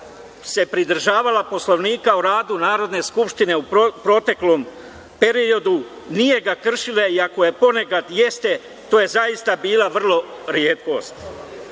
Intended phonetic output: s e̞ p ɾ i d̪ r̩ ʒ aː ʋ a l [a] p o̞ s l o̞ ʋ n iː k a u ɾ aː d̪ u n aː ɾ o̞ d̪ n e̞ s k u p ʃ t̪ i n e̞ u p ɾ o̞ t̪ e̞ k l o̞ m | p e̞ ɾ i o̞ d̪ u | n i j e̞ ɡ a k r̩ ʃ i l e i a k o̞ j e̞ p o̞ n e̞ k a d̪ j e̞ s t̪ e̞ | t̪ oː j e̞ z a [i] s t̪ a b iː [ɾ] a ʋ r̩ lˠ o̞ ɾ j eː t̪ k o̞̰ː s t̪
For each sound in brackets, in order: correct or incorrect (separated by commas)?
correct, correct, incorrect